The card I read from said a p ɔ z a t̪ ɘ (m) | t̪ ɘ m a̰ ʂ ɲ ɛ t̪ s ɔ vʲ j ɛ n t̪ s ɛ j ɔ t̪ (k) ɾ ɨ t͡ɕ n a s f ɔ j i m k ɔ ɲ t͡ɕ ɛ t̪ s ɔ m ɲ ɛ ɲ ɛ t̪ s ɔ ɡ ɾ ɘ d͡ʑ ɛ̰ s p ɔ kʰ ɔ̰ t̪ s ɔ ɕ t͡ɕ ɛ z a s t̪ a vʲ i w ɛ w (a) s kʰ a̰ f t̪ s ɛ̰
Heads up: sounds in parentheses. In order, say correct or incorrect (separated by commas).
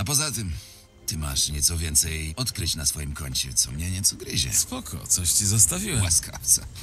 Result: correct, correct, correct